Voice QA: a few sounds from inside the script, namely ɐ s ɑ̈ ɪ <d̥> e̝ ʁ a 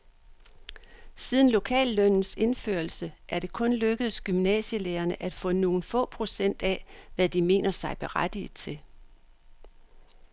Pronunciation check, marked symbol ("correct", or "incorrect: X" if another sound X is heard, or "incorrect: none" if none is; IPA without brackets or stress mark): incorrect: b̥